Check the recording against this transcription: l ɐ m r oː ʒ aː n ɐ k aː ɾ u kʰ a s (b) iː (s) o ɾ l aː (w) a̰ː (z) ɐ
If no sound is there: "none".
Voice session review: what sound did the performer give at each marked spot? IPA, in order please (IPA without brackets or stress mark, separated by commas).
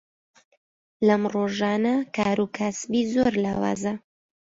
b, z, w, z